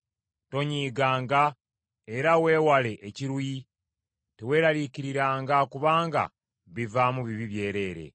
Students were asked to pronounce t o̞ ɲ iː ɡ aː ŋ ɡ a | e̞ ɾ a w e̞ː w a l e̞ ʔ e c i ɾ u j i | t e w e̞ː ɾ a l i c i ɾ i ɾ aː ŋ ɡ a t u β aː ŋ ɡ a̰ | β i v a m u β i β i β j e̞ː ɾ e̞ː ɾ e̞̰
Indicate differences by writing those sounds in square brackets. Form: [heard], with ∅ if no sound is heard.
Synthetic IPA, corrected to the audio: t o̞ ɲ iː ɡ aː ŋ ɡ a | e̞ ɾ a w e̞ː w a l e̞ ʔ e c i ɾ u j i | t e w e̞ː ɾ a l i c i ɾ i ɾ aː ŋ ɡ a [k] u β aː ŋ ɡ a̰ | β i v a m u β i β i β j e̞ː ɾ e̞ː ɾ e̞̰

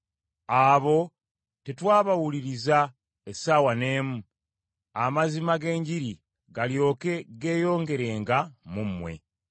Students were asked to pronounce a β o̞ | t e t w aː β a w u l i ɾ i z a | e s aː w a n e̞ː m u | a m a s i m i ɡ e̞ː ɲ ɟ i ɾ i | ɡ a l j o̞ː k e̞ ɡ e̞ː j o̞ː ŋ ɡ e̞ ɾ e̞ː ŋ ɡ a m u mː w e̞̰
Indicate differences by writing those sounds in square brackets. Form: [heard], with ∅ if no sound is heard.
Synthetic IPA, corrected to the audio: a β o̞ | t e t w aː β a w u l i ɾ i z a | e s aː w a n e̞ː m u | a m a [z] i m [a] ɡ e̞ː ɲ ɟ i ɾ i | ɡ a l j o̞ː k e̞ ɡ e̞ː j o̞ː ŋ ɡ e̞ ɾ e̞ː ŋ ɡ a m u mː w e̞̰

